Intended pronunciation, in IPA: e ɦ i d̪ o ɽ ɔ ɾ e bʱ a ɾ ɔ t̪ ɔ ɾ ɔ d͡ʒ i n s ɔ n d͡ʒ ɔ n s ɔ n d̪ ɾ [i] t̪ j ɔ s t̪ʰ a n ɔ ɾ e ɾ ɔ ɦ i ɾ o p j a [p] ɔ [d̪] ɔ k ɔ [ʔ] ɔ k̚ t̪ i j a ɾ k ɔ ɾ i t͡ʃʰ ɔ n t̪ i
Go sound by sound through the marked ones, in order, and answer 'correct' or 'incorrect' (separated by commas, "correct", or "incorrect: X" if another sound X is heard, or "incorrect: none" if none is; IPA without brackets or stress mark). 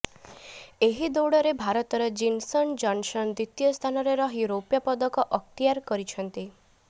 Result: correct, correct, correct, correct